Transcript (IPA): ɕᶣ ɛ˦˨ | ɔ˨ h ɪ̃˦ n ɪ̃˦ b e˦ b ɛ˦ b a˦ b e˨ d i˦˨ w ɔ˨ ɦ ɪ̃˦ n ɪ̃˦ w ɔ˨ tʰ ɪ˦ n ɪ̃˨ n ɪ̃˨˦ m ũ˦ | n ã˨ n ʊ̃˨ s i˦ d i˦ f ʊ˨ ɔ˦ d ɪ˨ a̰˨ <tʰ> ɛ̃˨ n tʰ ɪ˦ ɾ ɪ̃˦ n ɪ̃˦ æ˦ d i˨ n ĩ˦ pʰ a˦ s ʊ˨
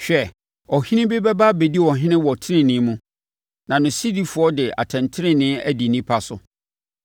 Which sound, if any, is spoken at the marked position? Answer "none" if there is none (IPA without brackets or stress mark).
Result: tʰ